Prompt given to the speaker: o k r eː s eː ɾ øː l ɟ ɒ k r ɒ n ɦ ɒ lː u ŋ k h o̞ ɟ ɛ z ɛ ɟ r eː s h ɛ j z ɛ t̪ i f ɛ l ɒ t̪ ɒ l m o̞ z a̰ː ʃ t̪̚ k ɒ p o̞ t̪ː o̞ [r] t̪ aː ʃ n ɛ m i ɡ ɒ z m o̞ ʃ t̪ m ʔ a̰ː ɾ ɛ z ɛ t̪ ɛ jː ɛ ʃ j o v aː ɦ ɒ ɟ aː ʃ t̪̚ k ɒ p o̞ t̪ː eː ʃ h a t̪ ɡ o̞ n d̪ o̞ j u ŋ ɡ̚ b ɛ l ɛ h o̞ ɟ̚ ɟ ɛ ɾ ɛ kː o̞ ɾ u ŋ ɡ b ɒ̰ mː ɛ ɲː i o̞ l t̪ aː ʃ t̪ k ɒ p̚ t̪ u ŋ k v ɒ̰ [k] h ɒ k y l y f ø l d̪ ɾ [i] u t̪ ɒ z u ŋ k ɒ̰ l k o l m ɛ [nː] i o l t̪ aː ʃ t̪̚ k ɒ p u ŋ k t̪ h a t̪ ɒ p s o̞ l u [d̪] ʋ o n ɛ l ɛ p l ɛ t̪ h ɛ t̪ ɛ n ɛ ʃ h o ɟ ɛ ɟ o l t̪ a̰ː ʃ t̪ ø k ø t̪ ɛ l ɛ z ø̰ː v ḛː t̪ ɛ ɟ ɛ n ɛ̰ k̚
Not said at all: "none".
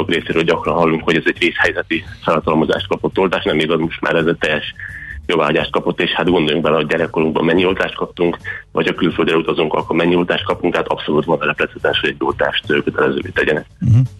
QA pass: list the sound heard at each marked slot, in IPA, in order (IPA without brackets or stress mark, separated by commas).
l, c, ɛ, ɲː, t̪